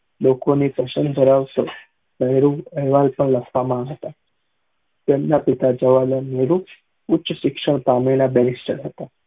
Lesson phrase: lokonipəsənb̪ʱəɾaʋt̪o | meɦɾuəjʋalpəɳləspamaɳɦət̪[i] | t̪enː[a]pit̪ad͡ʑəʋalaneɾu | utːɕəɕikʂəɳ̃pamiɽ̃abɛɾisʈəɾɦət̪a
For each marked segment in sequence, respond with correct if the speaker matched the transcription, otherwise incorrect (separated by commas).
incorrect, correct